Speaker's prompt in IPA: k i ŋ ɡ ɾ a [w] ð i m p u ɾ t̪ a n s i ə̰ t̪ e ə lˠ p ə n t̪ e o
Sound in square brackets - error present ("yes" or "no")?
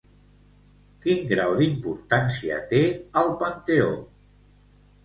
no